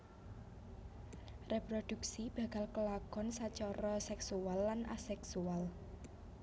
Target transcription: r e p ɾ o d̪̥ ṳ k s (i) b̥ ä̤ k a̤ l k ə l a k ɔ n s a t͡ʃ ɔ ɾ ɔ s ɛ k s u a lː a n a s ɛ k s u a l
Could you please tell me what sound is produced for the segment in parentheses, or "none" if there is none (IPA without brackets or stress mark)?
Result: i